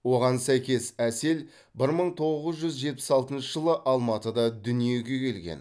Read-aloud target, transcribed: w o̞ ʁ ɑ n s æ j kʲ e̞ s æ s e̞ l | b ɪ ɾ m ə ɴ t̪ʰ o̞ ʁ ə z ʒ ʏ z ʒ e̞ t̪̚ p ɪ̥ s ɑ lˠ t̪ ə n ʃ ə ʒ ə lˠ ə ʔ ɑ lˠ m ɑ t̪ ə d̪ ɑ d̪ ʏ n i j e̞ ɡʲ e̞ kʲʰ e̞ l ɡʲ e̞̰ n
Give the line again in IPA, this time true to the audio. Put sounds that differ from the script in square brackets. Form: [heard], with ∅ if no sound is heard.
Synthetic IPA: w o̞ ʁ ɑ n s æ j kʲ e̞ s æ s e̞ l | b ɪ ɾ m ə ɴ t̪ʰ o̞ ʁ ə z ʒ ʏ z ʒ e̞ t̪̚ p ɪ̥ s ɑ lˠ t̪ ə n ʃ ə ʒ ə lˠ ə ʔ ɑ lˠ m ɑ t̪ ə d̪ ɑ d̪ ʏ n i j e̞ ɡʲ e̞ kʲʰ e̞ l ɡʲ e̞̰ n